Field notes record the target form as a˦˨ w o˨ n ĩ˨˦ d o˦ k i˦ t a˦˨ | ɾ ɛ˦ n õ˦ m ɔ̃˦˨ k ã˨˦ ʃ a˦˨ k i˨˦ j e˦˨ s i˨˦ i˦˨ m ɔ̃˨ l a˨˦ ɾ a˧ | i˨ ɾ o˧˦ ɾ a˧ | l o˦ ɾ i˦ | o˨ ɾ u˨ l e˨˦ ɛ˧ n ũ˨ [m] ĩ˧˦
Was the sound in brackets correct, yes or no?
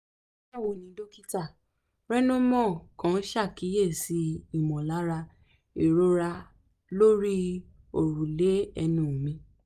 yes